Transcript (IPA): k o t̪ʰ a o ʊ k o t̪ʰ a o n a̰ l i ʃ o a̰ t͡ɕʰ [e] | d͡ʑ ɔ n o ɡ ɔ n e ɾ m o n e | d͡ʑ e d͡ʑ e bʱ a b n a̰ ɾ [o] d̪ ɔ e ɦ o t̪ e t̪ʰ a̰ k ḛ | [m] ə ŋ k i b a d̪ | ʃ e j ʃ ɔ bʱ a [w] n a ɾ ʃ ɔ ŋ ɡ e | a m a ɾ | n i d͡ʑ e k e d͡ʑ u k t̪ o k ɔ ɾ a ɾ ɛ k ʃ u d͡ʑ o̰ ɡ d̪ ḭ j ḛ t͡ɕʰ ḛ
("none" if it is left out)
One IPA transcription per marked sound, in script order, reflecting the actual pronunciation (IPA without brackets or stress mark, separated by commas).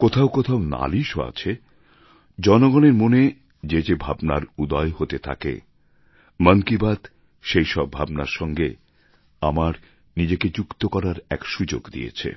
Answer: e, u, m, b